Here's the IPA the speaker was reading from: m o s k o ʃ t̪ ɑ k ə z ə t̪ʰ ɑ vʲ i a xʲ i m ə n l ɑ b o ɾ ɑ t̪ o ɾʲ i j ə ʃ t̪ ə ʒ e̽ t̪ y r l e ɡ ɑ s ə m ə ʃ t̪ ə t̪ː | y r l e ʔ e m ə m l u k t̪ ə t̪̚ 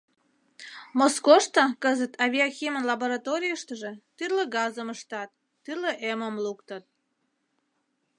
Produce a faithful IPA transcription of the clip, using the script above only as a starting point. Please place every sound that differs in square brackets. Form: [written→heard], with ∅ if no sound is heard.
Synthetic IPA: m o s k o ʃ t̪ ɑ k ə z ə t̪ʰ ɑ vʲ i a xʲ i m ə n l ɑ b o ɾ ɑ t̪ o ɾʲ i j ə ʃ t̪ ə ʒ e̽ t̪ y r l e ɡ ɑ [s→z] ə m ə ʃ t̪ [ə→ɑ] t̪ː | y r l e ʔ e m ə m l u k t̪ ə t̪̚